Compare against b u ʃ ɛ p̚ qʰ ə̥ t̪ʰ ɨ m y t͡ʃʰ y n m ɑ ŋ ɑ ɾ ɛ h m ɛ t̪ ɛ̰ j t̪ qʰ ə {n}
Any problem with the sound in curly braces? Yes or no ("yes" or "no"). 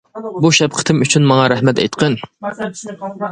no